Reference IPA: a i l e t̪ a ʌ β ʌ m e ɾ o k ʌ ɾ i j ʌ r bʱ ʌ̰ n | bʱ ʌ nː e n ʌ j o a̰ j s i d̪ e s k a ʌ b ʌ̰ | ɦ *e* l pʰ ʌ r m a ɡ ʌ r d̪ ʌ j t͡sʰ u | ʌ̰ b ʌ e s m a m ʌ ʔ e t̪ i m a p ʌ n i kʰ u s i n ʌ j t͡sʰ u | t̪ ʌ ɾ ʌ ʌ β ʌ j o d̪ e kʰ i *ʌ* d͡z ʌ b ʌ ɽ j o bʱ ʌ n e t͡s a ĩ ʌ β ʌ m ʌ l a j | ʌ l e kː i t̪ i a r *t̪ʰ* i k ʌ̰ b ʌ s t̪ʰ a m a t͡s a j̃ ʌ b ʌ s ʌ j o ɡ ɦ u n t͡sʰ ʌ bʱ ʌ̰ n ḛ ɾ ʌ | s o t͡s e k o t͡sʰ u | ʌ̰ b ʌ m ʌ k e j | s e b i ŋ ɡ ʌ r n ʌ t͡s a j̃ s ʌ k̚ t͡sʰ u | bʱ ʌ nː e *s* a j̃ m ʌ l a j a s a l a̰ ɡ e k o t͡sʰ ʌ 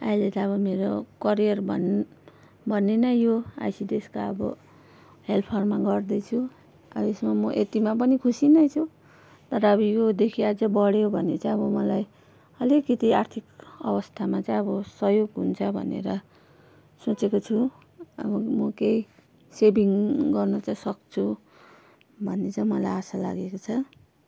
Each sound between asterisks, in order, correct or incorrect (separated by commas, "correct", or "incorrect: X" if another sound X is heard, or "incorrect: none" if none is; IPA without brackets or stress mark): correct, incorrect: a, correct, incorrect: t͡s